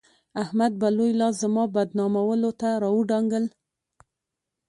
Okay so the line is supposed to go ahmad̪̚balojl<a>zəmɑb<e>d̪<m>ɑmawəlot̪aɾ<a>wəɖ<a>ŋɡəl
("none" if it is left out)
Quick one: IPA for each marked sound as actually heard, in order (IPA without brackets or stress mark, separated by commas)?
ɑ, a, n, ɑ, ɑ